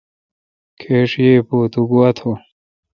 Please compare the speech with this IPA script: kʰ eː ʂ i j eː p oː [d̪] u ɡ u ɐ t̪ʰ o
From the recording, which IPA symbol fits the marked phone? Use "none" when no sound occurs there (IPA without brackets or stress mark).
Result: t̪